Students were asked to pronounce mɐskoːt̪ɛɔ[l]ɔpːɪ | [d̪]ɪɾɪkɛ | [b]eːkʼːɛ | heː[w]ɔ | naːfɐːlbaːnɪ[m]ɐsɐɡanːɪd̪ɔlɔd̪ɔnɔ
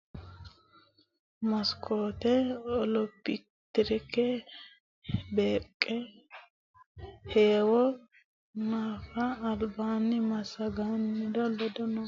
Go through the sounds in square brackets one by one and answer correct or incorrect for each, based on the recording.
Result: correct, incorrect: t̪, correct, correct, correct

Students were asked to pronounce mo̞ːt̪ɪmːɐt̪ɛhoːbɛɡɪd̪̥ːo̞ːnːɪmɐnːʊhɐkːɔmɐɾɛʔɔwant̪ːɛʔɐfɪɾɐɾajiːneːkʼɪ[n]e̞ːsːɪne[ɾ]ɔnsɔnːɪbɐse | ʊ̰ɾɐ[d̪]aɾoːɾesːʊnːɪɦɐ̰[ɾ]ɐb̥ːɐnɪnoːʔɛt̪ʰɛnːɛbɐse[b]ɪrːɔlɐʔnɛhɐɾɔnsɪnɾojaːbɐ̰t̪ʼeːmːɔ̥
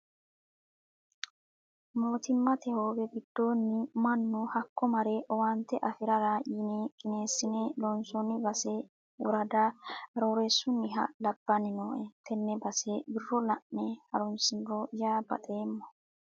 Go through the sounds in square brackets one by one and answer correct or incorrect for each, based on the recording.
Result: correct, incorrect: l, correct, incorrect: l, correct

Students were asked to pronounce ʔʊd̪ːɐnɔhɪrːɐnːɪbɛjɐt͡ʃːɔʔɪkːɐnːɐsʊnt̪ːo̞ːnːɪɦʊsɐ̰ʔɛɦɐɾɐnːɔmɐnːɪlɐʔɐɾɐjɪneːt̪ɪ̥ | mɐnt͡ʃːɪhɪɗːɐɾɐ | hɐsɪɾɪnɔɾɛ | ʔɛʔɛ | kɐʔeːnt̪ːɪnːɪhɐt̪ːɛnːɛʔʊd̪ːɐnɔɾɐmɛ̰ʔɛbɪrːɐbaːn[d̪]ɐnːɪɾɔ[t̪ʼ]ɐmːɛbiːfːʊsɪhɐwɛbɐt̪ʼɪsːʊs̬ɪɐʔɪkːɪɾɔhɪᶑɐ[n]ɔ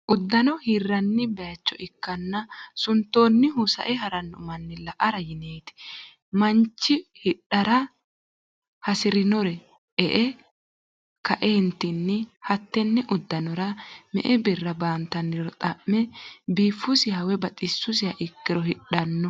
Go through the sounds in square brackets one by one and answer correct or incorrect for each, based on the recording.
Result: incorrect: t̪, correct, incorrect: nː

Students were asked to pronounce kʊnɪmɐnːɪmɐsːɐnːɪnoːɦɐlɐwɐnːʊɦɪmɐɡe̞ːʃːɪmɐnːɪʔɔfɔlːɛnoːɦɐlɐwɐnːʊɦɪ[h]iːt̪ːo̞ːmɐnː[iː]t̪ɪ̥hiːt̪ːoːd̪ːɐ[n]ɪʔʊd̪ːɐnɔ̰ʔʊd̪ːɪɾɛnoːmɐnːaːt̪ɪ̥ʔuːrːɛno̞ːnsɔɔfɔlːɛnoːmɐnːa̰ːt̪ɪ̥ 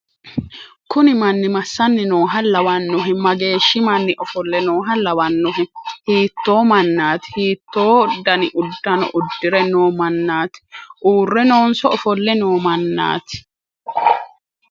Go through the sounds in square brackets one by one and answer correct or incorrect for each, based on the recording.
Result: correct, incorrect: aː, correct

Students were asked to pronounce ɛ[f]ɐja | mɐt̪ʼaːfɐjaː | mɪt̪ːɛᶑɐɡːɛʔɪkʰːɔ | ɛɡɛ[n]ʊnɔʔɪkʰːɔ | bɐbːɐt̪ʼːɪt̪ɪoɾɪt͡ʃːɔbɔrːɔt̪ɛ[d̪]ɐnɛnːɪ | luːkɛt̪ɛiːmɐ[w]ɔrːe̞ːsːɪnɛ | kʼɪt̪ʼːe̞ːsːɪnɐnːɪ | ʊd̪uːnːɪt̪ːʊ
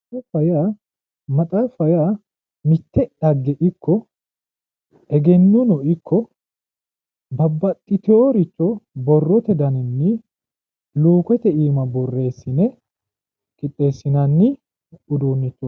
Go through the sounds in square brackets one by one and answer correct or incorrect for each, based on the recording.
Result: correct, incorrect: nː, correct, incorrect: b

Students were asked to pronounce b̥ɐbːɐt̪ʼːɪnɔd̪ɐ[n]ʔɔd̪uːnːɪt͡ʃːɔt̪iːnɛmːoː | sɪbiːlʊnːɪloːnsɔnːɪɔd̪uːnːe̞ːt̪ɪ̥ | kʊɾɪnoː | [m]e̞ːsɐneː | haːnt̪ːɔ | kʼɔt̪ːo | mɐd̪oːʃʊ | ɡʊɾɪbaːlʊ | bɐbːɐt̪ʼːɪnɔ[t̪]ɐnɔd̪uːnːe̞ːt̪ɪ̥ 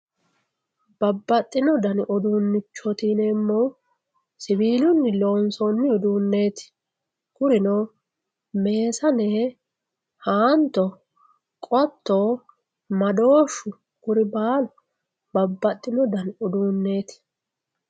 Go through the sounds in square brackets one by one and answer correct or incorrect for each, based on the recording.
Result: correct, correct, incorrect: d̪

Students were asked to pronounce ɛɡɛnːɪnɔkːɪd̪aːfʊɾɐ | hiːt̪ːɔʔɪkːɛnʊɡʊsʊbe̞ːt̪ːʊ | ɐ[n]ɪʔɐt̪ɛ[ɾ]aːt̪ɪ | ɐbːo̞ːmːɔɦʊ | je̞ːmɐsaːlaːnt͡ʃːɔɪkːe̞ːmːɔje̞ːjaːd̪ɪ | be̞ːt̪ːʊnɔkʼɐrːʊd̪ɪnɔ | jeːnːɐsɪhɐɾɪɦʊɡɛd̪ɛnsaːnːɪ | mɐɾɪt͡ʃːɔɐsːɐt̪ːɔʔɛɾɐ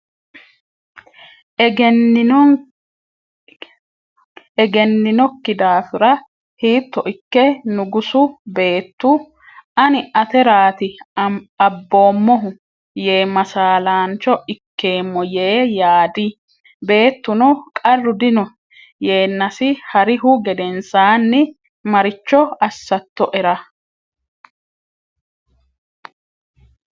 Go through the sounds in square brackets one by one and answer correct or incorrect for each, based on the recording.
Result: correct, correct

